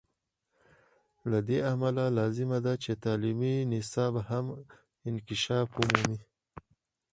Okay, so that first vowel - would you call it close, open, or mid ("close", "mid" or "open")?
open